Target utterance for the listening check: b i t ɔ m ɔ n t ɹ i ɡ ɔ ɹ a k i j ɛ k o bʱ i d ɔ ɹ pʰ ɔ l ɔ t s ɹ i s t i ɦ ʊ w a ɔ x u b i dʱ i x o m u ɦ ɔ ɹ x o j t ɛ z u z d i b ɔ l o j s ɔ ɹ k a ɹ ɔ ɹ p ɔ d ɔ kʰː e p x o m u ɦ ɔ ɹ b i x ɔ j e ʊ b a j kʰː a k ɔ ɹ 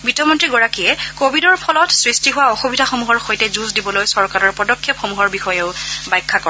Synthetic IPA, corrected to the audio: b i t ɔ m ɔ n t ɹ i ɡ ɔ ɹ a k i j ɛ k o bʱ i d ɔ ɹ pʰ ɔ l ɔ t s ɹ i s t i ɦ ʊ w a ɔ x u b i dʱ a x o m u ɦ ɔ ɹ x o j t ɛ z u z d i b ɔ l o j s ɔ ɹ k a ɹ ɔ ɹ p ɔ d ɔ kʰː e p x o m u ɦ ɔ ɹ b i x ɔ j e ʊ b a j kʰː a k ɔ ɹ